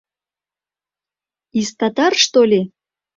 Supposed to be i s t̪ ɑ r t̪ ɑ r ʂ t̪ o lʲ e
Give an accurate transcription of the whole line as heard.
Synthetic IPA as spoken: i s t̪ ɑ t̪ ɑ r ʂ t̪ o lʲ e